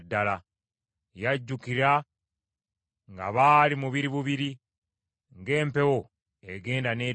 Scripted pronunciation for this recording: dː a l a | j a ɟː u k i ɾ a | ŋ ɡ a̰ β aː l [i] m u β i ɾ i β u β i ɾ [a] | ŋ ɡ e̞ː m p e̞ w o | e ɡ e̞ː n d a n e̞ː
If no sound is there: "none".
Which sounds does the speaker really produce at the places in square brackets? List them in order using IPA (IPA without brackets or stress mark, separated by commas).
i, i